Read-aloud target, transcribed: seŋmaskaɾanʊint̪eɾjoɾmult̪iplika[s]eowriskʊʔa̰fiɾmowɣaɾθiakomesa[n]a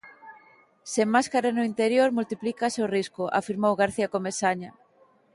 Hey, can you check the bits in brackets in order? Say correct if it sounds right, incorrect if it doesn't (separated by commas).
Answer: correct, incorrect